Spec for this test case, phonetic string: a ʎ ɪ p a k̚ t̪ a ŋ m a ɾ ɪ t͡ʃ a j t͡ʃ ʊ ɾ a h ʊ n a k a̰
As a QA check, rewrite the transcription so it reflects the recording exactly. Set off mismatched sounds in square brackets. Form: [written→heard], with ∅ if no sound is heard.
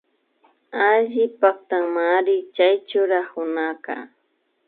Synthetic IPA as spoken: a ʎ ɪ p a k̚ t̪ a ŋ m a ɾ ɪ t͡ʃ a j t͡ʃ ʊ ɾ a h ʊ n a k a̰